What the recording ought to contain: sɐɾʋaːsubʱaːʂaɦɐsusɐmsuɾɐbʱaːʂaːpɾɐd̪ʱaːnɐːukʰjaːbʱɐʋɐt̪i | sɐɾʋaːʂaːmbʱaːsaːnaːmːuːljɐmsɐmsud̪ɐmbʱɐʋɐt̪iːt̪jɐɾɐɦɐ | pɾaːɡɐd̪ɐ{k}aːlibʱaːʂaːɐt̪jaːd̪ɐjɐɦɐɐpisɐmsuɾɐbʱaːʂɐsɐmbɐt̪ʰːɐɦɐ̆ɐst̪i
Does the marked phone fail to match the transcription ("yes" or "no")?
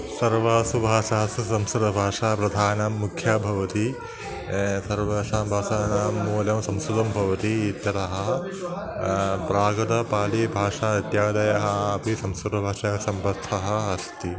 yes